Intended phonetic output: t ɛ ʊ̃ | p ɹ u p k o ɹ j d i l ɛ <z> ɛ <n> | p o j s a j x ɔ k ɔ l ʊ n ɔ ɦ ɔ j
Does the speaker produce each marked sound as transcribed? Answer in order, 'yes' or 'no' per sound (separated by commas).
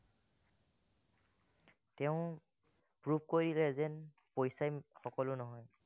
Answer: yes, yes